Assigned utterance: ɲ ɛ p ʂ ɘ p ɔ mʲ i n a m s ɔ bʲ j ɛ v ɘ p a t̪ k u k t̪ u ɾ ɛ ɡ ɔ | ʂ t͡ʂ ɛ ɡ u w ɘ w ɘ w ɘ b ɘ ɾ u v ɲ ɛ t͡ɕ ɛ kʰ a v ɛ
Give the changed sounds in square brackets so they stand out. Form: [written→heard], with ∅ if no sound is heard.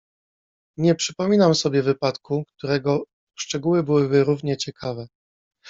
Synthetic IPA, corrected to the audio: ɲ ɛ p ʂ ɘ p ɔ mʲ i n a m s ɔ bʲ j ɛ v ɘ p a t̪ k u k t̪ u ɾ ɛ ɡ ɔ | ʂ t͡ʂ ɛ ɡ u w ɘ [w→b] ɘ w ɘ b ɘ ɾ u v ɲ ɛ t͡ɕ ɛ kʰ a v ɛ